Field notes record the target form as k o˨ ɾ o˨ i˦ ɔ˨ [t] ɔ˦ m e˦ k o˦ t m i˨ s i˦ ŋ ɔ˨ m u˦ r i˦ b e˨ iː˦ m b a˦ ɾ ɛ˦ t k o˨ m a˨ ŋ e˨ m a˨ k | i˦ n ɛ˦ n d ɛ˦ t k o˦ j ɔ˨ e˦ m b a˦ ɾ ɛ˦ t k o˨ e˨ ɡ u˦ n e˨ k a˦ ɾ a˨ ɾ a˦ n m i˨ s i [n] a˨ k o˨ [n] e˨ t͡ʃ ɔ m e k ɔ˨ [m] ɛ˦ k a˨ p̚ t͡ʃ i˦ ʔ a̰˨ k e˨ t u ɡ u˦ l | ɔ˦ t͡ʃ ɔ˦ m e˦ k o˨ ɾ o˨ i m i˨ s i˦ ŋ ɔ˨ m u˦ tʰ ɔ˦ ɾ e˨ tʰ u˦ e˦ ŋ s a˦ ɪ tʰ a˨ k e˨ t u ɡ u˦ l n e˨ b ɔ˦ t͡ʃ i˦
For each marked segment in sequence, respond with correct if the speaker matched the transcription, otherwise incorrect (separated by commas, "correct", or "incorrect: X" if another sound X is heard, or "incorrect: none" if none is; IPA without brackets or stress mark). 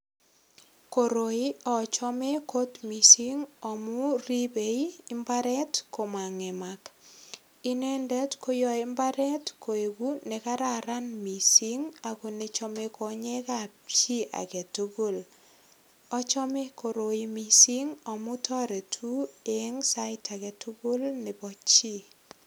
incorrect: t͡ʃ, incorrect: ŋ, correct, incorrect: ɲ